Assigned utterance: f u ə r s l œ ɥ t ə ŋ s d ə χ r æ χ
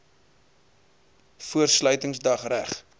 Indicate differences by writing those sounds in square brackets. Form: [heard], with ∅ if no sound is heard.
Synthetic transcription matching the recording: f u ə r s l œ ɥ t ə ŋ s d [ɐ] χ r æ χ